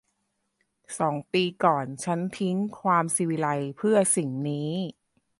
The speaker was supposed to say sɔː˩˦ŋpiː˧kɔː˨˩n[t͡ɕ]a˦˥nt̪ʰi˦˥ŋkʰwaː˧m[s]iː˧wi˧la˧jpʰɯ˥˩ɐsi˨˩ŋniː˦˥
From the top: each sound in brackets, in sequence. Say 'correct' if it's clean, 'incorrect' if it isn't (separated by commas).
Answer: incorrect, correct